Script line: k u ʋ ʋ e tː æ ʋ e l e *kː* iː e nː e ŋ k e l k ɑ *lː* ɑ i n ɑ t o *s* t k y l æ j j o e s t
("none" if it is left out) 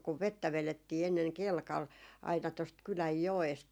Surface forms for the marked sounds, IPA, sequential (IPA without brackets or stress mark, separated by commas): tː, l, s